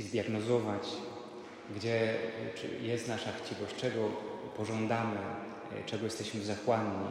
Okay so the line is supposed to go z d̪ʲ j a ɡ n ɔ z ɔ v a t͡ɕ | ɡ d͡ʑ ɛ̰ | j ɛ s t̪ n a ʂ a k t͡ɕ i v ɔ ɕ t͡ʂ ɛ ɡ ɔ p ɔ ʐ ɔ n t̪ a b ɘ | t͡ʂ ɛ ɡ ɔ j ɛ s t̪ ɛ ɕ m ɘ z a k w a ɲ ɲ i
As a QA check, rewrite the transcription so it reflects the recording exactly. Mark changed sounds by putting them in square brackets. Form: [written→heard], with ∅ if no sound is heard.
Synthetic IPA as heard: z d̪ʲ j a ɡ n ɔ z ɔ v a t͡ɕ | ɡ d͡ʑ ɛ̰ | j ɛ s t̪ n a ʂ a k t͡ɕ i v ɔ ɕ t͡ʂ ɛ ɡ ɔ p ɔ ʐ ɔ n [t̪→d̪] a [b→m] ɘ | t͡ʂ ɛ ɡ ɔ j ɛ s t̪ ɛ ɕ m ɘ z a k w a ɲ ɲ i